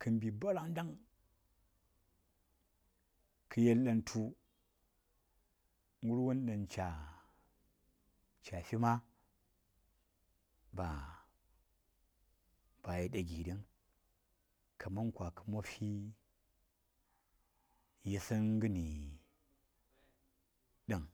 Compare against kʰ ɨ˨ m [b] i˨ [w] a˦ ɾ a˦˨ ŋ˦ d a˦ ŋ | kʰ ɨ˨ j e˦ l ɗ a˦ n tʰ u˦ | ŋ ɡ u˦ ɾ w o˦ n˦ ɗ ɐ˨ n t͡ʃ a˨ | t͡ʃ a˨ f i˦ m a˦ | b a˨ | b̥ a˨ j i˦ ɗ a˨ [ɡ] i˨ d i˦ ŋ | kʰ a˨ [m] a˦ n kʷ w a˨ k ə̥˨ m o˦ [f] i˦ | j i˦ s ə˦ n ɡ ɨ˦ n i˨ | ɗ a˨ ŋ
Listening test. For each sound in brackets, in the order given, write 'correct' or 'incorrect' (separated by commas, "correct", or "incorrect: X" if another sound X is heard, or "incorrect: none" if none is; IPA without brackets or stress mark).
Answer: correct, incorrect: b, correct, correct, correct